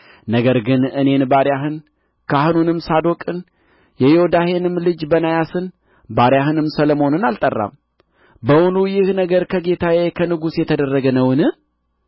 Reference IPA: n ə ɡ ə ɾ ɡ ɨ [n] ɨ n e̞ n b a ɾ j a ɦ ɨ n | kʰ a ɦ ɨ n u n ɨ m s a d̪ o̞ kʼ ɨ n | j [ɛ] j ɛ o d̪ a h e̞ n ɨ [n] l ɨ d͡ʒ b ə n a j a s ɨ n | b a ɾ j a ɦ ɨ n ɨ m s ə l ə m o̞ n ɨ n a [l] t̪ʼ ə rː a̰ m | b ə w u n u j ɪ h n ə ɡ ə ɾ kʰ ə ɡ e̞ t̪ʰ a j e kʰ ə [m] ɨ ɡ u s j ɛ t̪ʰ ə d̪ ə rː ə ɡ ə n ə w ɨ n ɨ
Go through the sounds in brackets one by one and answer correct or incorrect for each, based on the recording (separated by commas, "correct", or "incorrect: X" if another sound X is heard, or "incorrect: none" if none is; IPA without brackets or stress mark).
correct, correct, incorrect: m, correct, incorrect: n